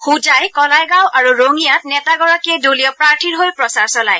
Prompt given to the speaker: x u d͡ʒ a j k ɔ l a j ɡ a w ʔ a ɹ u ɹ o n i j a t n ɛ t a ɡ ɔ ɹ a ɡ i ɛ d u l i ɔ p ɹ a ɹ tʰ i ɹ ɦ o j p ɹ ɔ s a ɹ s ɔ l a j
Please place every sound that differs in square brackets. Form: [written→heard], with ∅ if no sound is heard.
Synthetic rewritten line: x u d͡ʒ a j k ɔ l a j ɡ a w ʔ a ɹ u ɹ o [n→ŋ] i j a t n ɛ t a ɡ ɔ ɹ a [ɡ→k] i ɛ d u l i ɔ p ɹ a ɹ tʰ i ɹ ɦ o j p ɹ ɔ s a ɹ s ɔ l a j

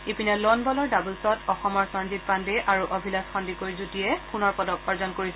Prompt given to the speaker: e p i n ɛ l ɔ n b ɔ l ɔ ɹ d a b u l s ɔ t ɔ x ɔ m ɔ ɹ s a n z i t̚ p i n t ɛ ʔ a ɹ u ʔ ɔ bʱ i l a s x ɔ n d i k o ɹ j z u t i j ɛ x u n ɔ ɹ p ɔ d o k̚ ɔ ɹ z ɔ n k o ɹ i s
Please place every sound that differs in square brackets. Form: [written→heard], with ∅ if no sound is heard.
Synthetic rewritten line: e p i n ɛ l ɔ n b ɔ l ɔ ɹ d a b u l s ɔ t ɔ x ɔ m ɔ ɹ s a n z i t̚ p [i→a] n [t→d] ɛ ʔ a ɹ u ʔ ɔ bʱ i l a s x ɔ n d i k o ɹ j z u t i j ɛ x u n ɔ ɹ p ɔ d [o→ɔ] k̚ ɔ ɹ z ɔ n k o ɹ i s

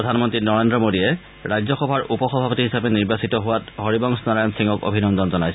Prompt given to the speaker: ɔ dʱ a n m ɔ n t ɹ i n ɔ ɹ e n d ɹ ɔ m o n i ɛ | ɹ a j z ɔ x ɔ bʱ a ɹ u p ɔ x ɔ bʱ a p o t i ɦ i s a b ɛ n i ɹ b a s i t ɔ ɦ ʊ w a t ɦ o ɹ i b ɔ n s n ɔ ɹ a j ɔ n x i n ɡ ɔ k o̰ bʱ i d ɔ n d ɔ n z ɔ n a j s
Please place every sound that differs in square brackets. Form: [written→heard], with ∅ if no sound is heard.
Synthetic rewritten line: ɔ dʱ a n m ɔ n t ɹ i n ɔ ɹ e n d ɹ ɔ m o [n→d] i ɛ | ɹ a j z ɔ x ɔ bʱ a ɹ u p ɔ x ɔ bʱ a p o t i ɦ i s a b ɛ n i ɹ b a s i t ɔ ɦ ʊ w a t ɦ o ɹ i b ɔ [n→ŋ] s n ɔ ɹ a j ɔ n [x→s] i [n→ŋ] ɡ ɔ k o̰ bʱ i [d→n] ɔ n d ɔ n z ɔ n a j s

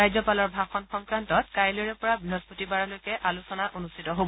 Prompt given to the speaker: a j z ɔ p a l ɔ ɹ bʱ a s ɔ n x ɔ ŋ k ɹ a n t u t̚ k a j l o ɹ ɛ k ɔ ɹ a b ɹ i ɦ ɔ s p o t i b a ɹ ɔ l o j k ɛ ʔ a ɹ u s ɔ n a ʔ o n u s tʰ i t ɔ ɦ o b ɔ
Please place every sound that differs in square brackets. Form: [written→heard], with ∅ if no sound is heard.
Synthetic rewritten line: a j z ɔ p a l ɔ ɹ bʱ a [s→x] ɔ n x ɔ ŋ k ɹ a n t [u→ɔ] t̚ k a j l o ɹ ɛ [k→p] ɔ ɹ a b ɹ i ɦ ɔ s p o t i b a ɹ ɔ l o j k ɛ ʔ a [ɹ→l] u s ɔ n a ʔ o n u s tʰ i t ɔ ɦ o b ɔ

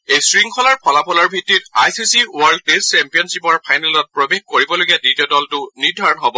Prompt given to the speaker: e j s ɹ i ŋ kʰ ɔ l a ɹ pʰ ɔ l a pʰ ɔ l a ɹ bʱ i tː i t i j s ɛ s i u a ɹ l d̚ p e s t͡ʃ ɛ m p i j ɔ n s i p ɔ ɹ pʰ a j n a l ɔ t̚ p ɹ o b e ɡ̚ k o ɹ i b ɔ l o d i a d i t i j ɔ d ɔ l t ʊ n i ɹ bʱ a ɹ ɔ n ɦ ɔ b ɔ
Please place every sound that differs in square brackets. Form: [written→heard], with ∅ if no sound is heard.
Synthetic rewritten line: e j s ɹ i ŋ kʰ ɔ l a ɹ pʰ ɔ l a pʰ ɔ l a ɹ bʱ i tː i t [i→a] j s [ɛ→i] s i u a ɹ l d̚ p e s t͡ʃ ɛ m p i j ɔ n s i p ɔ ɹ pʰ a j n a l ɔ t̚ p ɹ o b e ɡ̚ k o ɹ i b ɔ l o [d→ɡ] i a d i t i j ɔ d ɔ l t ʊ n i ɹ [bʱ→dʱ] a ɹ ɔ n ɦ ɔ b ɔ

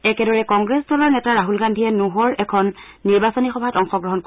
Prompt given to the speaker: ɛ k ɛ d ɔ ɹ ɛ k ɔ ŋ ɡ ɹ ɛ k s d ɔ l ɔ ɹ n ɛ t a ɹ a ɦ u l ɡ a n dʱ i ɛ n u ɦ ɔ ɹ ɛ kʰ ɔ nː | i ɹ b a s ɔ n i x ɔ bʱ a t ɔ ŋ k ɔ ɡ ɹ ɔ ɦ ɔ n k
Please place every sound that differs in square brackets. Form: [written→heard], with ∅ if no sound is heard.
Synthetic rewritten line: ɛ k ɛ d ɔ ɹ ɛ k ɔ ŋ ɡ ɹ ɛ [k→∅] s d ɔ l ɔ ɹ n ɛ t a ɹ a ɦ u l ɡ a n dʱ i ɛ n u ɦ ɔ ɹ ɛ kʰ ɔ nː | i ɹ b a s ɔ n i x ɔ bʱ a t ɔ ŋ [k→x] ɔ ɡ ɹ ɔ ɦ ɔ n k

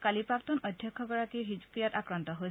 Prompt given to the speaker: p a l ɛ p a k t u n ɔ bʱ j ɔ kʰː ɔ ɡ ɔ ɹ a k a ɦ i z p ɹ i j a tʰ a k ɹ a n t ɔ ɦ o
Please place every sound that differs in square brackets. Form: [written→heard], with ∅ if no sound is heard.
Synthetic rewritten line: [p→k] a l [ɛ→i] p a k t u n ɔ [bʱ→dʱ] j ɔ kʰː ɔ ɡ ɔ ɹ a k [a→i] ɦ i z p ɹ i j a [tʰ→t] a k ɹ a n t ɔ ɦ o

